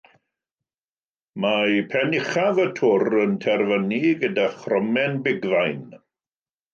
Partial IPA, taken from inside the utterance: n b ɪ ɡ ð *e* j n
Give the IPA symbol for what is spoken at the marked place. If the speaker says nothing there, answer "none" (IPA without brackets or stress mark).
a